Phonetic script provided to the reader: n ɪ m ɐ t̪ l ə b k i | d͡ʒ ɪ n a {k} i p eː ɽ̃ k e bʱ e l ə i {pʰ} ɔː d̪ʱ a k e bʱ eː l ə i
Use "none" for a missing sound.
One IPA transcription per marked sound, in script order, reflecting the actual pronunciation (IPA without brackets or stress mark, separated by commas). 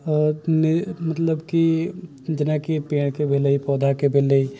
k, p